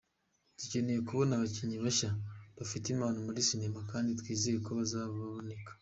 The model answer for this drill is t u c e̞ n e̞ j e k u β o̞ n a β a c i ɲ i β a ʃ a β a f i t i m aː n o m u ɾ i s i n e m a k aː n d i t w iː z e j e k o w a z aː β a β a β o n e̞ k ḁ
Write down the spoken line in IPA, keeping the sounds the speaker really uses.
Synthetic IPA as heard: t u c e̞ n e̞ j e k u β o̞ n a β a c i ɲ i β a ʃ a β a f i t i m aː n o m u ɾ i s i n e m a k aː n d i t w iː z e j e k o β a z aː β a β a β o n e̞ k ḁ